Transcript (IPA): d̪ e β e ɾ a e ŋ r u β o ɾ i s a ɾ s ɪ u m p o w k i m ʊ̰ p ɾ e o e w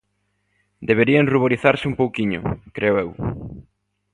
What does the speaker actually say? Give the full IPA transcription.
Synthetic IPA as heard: d̪ e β e ɾ i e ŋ r u β o ɾ i θ a ɾ s ɪ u m p o w k i ɲ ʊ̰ k ɾ e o e w